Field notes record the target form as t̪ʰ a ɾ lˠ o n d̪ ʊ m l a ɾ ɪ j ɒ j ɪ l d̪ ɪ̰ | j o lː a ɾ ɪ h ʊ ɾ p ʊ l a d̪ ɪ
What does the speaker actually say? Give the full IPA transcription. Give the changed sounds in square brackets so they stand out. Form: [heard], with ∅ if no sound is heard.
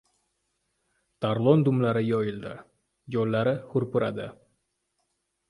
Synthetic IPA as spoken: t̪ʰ a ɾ lˠ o n d̪ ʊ m l a ɾ ɪ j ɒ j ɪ l d̪ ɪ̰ | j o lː a ɾ ɪ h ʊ ɾ p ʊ [ɾ] a d̪ ɪ